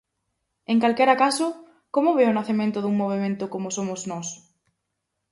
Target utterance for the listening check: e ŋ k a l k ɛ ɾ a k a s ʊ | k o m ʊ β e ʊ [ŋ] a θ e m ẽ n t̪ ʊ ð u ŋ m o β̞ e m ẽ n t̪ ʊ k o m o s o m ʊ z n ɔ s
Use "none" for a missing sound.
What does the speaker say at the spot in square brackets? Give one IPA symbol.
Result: n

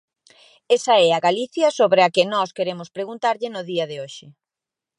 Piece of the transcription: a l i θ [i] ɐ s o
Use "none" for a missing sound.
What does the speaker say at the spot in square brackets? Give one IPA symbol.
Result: j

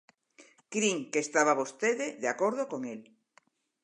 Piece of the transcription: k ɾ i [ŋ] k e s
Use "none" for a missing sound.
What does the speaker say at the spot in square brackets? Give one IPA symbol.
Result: ŋ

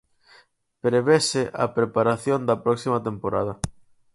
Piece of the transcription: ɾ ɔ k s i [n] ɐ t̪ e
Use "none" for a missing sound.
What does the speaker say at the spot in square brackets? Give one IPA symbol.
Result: m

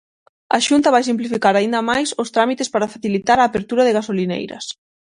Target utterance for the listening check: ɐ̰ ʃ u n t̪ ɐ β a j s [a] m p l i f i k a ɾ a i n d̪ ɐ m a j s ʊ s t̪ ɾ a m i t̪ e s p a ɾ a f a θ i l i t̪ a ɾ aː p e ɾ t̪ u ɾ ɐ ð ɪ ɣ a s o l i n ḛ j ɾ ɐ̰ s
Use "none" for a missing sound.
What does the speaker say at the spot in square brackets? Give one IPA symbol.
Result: i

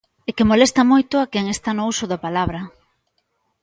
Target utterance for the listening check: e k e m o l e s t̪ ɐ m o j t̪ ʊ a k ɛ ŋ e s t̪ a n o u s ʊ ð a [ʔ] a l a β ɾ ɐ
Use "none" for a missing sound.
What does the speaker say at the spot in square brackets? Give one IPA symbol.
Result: p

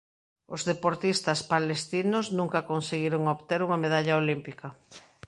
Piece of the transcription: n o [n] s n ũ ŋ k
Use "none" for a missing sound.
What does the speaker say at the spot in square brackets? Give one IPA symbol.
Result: none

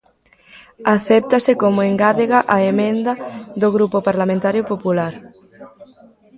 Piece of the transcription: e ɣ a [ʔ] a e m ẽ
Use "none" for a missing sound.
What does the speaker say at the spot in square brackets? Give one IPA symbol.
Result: ʔ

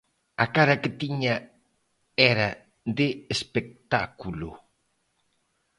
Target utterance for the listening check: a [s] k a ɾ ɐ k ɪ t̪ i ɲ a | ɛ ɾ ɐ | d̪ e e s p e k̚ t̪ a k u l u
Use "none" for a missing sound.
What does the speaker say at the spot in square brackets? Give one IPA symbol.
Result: none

